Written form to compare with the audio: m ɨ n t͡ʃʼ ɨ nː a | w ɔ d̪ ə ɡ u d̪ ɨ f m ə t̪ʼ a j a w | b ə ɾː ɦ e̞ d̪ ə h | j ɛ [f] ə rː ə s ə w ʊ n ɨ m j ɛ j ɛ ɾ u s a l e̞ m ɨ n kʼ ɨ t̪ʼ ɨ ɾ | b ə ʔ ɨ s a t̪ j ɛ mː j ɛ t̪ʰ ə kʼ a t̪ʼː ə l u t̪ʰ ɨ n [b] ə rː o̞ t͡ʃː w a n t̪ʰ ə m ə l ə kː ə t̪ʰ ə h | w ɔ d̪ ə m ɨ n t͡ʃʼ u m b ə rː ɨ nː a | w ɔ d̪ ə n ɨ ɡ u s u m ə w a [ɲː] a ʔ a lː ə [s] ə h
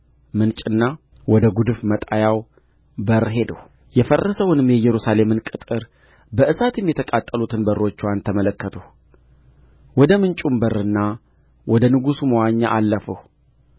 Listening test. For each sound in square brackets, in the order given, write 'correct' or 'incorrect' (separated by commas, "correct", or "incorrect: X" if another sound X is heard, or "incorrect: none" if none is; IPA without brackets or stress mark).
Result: correct, correct, correct, incorrect: f